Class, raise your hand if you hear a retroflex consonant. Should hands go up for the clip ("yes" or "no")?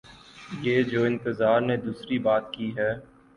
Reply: no